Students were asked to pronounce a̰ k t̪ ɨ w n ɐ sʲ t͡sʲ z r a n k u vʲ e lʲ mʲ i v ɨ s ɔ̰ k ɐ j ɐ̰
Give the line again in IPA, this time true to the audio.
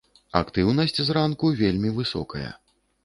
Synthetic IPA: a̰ k t̪ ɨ w n ɐ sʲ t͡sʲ z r a n k u vʲ e lʲ mʲ i v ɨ s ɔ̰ k ɐ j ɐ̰